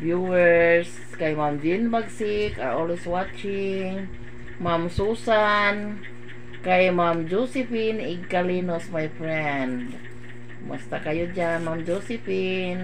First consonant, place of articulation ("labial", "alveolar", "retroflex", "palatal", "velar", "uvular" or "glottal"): labial